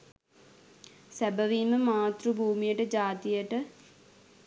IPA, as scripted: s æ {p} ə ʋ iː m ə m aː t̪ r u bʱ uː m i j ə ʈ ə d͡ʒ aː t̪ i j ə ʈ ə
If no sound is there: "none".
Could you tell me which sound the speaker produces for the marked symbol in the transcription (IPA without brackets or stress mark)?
b